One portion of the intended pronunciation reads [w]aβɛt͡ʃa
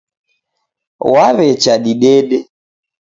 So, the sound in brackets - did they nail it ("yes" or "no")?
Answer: yes